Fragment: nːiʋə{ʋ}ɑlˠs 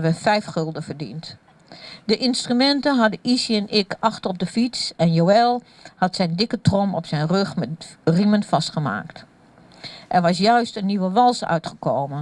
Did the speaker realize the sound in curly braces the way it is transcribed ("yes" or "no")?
yes